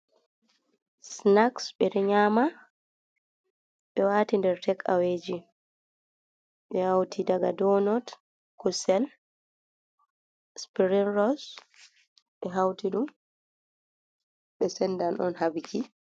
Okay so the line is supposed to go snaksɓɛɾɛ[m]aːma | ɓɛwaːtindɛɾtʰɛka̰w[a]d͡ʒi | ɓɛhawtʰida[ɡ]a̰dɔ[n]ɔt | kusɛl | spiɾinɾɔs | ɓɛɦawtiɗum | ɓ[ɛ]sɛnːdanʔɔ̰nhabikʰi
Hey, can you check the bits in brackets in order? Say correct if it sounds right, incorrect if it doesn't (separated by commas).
incorrect, incorrect, correct, correct, correct